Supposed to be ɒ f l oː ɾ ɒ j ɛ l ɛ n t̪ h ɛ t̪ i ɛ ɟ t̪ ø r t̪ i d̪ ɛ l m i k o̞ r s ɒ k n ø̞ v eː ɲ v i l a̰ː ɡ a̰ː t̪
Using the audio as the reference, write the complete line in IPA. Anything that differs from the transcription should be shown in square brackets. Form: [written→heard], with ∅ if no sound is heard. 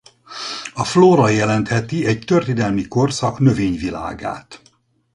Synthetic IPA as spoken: ɒ f l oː ɾ ɒ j ɛ l ɛ n t̪ h ɛ t̪ i ɛ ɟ t̪ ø r t̪ i d̪ ɛ l m i k o̞ r s ɒ k n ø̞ v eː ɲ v i l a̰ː ɡ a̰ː t̪